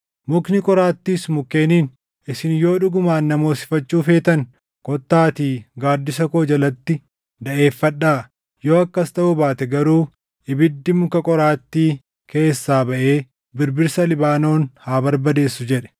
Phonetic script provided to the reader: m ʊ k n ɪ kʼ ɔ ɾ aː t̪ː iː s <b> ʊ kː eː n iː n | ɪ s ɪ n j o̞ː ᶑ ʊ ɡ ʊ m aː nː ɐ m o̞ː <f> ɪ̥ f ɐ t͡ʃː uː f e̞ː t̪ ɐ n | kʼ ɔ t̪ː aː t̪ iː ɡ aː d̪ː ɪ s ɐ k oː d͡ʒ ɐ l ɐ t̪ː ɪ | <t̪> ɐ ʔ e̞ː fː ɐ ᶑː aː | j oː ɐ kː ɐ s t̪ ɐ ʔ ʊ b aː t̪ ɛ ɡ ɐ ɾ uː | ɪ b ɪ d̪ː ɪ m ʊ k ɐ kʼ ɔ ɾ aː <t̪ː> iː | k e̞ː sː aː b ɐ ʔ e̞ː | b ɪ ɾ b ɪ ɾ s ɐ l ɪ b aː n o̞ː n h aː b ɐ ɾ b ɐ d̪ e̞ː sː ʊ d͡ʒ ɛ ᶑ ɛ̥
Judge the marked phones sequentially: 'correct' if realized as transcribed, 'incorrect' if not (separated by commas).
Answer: incorrect, incorrect, incorrect, correct